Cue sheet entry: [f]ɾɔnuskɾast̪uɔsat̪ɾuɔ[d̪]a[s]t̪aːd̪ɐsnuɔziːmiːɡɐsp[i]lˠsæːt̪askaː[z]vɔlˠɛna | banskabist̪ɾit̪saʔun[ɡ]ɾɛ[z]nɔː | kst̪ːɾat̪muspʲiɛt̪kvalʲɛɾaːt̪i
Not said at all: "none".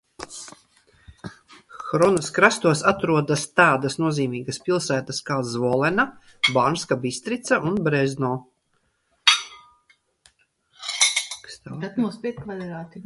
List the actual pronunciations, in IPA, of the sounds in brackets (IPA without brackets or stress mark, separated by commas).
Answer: x, d̪, s, i, z, b, z